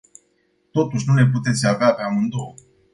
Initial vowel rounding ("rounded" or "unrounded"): rounded